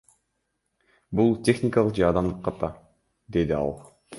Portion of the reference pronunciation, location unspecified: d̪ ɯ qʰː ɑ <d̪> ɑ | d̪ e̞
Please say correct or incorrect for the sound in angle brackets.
incorrect